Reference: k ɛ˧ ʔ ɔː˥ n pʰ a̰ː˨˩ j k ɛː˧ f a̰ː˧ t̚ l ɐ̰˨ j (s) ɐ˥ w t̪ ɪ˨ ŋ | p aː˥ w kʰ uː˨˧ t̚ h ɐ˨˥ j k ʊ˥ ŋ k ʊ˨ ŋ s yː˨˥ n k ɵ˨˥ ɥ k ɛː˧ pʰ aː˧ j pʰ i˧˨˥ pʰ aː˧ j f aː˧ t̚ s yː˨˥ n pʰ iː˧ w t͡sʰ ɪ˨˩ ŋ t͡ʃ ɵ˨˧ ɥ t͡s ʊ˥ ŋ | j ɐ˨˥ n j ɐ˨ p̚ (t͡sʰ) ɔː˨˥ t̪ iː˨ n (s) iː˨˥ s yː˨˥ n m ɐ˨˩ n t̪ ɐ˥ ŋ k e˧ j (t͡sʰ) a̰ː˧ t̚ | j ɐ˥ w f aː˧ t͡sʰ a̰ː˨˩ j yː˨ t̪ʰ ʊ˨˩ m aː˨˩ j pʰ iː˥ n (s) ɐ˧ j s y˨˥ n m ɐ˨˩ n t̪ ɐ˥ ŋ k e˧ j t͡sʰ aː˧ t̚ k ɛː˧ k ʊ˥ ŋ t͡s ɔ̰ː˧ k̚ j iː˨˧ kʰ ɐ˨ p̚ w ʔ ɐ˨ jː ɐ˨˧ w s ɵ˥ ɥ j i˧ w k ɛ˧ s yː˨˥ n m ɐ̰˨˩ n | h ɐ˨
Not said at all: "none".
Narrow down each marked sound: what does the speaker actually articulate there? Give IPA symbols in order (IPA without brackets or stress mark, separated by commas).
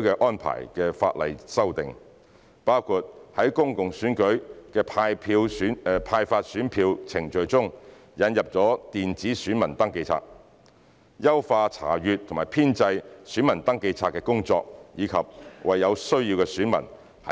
s, t͡s, t͡s, t͡sʰ, t͡s